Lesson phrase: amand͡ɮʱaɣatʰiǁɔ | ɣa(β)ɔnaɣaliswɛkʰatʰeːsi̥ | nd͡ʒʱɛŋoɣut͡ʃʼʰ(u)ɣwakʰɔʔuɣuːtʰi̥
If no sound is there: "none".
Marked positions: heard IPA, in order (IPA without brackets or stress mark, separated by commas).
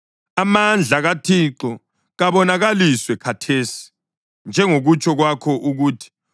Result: β, ɔ